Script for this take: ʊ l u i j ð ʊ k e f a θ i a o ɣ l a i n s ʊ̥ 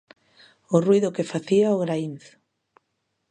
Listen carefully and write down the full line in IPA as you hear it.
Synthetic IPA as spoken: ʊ r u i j ð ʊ k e f a θ i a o ɣ ɾ a i n θ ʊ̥